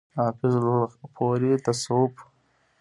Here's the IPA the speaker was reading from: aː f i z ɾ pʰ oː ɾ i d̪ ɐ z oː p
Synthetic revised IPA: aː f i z l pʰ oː ɾ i t̪ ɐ s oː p